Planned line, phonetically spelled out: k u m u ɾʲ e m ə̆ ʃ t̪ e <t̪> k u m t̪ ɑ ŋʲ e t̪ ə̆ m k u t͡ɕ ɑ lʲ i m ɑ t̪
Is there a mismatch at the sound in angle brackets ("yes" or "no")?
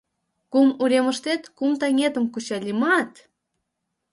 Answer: no